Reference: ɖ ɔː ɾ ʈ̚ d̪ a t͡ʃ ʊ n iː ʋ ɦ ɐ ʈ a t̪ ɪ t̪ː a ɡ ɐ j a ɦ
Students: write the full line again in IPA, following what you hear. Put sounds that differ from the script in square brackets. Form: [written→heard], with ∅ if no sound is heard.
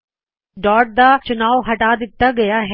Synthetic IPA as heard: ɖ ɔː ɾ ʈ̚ d̪ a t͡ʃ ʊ n [iː→aː] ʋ ɦ ɐ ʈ a [t̪→d̪] ɪ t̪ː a ɡ ɐ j a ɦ